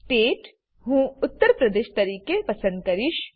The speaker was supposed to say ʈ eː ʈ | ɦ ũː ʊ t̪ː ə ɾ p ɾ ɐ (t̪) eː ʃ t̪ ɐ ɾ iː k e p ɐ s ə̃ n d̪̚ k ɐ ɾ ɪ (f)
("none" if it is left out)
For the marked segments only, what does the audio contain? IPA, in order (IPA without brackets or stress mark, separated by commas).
d̪, ʃ